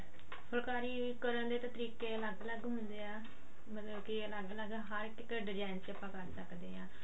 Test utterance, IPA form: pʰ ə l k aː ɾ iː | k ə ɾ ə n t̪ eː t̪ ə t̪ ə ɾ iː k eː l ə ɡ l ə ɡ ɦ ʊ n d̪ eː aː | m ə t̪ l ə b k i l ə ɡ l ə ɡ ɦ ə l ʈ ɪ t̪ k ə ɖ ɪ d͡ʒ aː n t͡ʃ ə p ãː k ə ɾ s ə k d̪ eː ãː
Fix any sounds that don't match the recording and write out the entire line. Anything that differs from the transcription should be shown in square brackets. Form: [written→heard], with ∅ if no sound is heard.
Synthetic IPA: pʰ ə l k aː ɾ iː | k ə ɾ ə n [t̪→d̪] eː t̪ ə t̪ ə ɾ iː k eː l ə ɡ l ə ɡ ɦ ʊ n d̪ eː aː | m ə t̪ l ə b k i l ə ɡ l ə ɡ ɦ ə [l→ɾ] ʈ ɪ [t̪→∅] k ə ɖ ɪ d͡ʒ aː n t͡ʃ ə p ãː k ə ɾ s ə k d̪ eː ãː